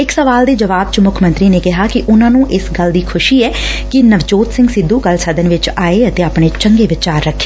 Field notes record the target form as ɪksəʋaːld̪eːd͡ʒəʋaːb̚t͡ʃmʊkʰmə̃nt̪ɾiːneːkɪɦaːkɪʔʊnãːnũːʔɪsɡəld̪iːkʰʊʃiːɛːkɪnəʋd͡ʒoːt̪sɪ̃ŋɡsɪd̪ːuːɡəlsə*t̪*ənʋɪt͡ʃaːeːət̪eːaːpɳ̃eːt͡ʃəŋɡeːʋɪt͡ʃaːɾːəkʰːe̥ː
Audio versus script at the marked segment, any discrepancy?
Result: yes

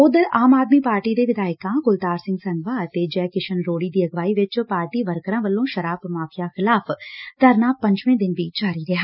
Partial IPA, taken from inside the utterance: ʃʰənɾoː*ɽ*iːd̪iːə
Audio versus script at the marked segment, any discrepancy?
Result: no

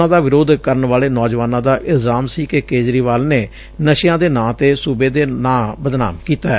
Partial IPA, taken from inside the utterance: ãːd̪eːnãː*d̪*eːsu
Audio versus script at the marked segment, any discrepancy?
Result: yes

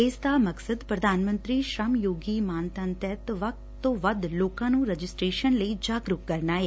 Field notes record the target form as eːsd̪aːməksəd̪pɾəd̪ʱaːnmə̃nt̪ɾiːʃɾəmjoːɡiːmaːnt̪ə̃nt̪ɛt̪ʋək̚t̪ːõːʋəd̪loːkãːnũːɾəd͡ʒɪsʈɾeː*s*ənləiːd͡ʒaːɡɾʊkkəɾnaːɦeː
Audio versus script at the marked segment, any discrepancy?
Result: yes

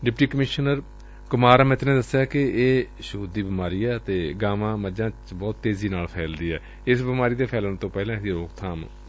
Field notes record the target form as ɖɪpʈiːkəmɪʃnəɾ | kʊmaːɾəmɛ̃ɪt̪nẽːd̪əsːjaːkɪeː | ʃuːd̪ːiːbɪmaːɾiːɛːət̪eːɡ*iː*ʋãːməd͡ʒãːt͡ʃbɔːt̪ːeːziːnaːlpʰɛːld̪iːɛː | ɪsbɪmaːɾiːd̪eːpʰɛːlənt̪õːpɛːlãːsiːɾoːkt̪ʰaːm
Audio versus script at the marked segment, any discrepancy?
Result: yes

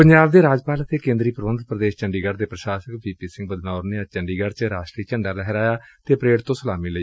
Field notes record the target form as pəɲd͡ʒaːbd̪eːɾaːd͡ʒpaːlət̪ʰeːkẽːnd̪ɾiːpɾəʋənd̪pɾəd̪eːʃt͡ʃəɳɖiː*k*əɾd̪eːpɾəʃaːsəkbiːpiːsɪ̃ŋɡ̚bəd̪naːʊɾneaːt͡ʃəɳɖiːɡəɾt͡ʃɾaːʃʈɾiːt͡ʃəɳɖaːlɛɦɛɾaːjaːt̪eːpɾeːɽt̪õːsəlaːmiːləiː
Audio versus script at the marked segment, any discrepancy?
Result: yes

